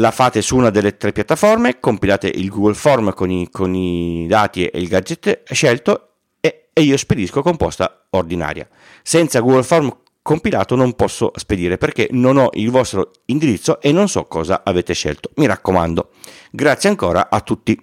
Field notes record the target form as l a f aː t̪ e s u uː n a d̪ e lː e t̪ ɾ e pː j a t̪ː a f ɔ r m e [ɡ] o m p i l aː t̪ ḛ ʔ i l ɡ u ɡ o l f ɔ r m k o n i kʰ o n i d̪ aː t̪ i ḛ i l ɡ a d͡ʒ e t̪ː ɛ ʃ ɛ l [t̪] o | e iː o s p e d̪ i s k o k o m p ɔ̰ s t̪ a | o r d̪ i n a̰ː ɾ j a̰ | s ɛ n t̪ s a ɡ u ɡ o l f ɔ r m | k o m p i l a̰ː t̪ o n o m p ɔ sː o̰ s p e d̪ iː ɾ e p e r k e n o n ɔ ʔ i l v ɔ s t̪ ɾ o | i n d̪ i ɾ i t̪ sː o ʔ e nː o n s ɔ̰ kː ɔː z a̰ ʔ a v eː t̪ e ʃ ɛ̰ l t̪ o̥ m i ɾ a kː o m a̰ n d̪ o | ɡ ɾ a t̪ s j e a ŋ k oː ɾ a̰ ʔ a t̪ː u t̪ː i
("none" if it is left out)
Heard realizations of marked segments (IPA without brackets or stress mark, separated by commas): k, t̪